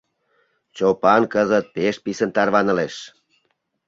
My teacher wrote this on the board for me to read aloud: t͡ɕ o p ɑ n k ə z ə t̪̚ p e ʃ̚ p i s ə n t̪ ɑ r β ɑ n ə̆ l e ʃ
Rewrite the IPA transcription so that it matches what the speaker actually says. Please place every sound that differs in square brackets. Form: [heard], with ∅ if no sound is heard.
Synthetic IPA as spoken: t͡ɕ o p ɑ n k ə z ə t̪̚ p e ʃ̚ p i s ə n t̪ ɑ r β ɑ n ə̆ l e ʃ